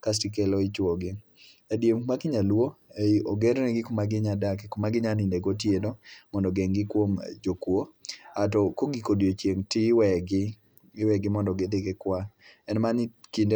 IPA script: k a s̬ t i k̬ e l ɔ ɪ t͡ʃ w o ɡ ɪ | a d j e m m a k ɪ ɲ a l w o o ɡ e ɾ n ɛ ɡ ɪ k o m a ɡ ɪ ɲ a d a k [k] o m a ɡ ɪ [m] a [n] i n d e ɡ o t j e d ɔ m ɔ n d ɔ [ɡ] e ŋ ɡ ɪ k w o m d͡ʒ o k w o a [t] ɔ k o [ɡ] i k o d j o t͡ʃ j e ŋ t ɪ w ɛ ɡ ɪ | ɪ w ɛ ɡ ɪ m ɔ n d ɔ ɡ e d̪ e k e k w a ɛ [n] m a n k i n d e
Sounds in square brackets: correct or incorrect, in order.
correct, incorrect: ɲ, correct, correct, correct, correct, correct

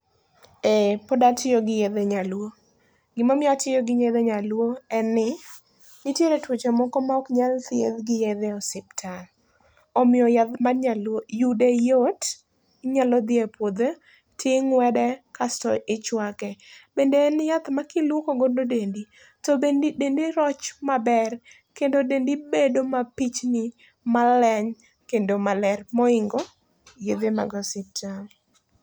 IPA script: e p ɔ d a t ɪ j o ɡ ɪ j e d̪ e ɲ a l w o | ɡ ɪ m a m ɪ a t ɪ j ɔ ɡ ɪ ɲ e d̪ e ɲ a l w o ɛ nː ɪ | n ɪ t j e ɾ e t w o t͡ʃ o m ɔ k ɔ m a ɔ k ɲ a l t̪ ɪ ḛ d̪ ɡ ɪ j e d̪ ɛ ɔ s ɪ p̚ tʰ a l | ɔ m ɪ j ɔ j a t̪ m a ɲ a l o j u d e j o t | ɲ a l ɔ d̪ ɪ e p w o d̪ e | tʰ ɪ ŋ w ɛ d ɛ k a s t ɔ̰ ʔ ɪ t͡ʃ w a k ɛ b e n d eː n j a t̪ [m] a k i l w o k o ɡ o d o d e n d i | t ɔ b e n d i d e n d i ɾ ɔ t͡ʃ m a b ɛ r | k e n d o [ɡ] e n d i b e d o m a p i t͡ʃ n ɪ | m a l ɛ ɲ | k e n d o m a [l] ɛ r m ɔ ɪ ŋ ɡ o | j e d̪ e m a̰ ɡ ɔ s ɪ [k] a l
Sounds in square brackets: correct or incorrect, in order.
correct, incorrect: d, correct, incorrect: t

